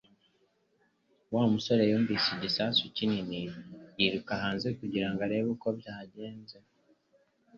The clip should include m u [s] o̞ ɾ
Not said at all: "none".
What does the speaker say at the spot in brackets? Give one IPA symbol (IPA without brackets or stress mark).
s